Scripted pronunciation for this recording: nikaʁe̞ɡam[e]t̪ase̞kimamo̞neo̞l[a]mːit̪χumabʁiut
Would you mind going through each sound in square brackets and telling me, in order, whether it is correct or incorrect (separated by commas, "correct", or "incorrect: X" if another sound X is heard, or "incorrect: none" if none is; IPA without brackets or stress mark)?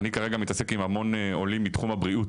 incorrect: i, incorrect: i